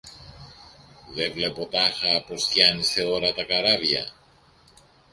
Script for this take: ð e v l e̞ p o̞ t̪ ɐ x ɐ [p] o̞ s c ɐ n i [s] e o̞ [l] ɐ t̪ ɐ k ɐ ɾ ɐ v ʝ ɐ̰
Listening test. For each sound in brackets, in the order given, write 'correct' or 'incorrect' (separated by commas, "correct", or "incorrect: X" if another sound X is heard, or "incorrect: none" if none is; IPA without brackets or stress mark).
correct, correct, incorrect: ɾ